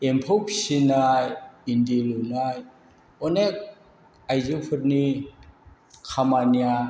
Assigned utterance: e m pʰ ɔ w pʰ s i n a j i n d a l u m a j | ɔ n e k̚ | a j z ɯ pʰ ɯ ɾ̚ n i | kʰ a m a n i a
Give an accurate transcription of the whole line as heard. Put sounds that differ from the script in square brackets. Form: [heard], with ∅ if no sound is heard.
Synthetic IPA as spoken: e m pʰ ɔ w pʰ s i n a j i n d [i] l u [n] a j | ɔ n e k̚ | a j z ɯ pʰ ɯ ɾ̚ n i | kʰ a m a n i a

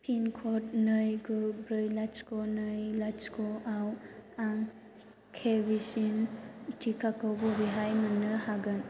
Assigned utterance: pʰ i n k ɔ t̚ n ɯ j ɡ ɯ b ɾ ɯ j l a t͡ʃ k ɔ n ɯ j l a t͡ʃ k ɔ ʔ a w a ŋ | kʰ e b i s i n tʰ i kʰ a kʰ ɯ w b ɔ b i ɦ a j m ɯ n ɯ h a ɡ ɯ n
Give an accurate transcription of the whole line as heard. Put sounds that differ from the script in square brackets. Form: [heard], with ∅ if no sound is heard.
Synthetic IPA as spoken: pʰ i n [kʰ] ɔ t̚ n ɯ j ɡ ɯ b ɾ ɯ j l a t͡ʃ k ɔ n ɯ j l a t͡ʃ k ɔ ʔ a w a ŋ | kʰ e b i s i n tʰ i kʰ a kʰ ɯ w b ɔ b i ɦ a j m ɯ n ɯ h a ɡ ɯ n

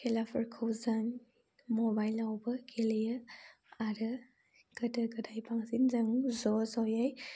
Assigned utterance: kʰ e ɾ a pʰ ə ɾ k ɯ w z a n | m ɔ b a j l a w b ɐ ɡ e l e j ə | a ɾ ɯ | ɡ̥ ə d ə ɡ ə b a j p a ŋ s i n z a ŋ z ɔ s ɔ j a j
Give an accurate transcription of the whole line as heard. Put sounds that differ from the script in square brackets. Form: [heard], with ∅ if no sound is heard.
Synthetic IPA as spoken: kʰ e [l] a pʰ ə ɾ [kʰ] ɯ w z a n | m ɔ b a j l a w b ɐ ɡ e l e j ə | a ɾ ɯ | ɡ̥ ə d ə ɡ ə [d] a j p a ŋ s i n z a ŋ z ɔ [z] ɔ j a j

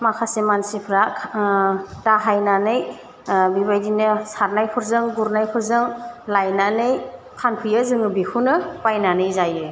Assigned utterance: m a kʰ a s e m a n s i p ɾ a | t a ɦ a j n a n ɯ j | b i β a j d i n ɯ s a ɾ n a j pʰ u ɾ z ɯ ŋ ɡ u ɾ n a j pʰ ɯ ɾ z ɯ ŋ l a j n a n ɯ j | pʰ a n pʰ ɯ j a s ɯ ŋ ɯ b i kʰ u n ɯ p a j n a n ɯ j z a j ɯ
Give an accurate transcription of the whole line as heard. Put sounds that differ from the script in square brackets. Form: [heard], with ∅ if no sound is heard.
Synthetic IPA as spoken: m a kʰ a s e m a n s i [pʰ] ɾ a | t a ɦ a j n a n ɯ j | b i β a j d i n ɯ s a ɾ n a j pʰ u ɾ z ɯ ŋ ɡ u ɾ n a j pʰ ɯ ɾ z ɯ ŋ l a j n a n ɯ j | [kʰ] a n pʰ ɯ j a [z] ɯ ŋ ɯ b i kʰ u n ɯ p a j n a n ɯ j z a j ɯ

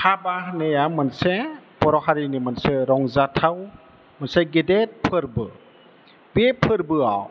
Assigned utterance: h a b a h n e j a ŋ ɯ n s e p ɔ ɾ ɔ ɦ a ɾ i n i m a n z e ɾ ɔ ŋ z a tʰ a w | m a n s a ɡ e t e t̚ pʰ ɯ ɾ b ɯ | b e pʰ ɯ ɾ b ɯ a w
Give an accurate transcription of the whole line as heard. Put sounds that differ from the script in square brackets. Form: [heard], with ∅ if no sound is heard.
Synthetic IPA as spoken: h a b a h n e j a [m] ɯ n s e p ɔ ɾ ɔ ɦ a ɾ i n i m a n [s] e ɾ ɔ ŋ z a tʰ a w | m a n s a ɡ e [d] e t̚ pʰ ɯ ɾ b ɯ | b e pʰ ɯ ɾ b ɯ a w

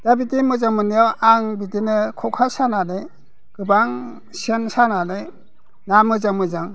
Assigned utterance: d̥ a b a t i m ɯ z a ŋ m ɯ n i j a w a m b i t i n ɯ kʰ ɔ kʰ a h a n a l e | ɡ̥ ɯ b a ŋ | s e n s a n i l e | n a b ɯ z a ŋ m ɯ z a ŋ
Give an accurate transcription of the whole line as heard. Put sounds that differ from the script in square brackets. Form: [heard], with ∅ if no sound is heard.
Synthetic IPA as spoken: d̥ a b [i] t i m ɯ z a ŋ m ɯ n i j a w a [ŋ] b i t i n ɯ kʰ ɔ kʰ a [s] a n a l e | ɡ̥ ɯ b a ŋ | s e n s a n [a] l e | n a [m] ɯ z a ŋ m ɯ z a ŋ

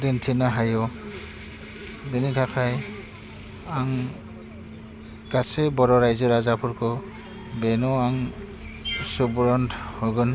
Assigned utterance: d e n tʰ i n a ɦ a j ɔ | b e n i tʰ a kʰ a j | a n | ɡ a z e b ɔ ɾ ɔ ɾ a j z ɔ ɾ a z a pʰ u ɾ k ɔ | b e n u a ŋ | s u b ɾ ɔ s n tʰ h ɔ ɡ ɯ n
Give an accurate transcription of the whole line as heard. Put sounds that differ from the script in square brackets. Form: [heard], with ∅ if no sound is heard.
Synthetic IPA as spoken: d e n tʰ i n a ɦ a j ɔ | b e n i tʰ a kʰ a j | a [ŋ] | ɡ a [s] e b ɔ ɾ ɔ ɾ a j z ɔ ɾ a z a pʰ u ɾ k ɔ | b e n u a ŋ | s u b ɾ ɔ [∅] n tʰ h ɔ ɡ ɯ n

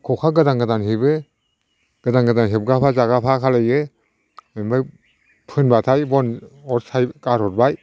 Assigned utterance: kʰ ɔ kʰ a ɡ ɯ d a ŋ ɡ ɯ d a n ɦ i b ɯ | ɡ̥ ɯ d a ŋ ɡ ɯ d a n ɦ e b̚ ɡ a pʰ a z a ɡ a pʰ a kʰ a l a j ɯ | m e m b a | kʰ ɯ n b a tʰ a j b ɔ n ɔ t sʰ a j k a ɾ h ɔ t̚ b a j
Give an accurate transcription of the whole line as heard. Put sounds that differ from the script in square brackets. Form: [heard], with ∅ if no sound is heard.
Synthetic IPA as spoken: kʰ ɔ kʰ a ɡ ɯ d a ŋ ɡ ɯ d a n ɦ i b ɯ | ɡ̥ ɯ d a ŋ ɡ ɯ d a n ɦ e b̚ ɡ a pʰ a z a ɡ a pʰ a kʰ a l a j ɯ | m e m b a | [pʰ] ɯ n b a tʰ a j b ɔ n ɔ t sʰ a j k a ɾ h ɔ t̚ b a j

